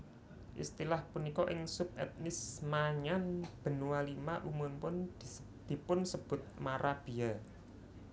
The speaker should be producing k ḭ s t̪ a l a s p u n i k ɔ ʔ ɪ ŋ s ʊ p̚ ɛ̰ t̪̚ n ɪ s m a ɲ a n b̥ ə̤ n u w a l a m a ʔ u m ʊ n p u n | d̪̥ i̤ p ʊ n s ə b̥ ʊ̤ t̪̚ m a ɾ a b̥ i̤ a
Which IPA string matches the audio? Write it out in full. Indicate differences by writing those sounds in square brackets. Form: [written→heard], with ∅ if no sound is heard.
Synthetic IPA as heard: [k→ʔ] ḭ s t̪ [a→i] l a [s→h] p u n i k ɔ ʔ ɪ ŋ s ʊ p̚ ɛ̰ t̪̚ n ɪ s m a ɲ a n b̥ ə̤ n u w a l [a→i] m a ʔ u m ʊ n p [u→ʊ] n | d̪̥ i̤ p ʊ n s ə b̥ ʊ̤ t̪̚ m a ɾ a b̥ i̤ a